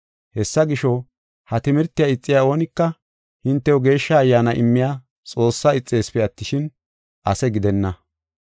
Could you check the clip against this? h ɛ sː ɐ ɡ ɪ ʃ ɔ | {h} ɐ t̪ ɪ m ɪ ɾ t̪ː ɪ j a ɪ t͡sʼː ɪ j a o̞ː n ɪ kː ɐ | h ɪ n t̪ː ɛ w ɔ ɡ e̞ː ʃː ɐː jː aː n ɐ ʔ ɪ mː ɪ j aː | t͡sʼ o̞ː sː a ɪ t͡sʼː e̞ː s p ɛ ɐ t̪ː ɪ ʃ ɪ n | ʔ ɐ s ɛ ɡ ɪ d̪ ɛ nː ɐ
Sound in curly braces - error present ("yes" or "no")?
no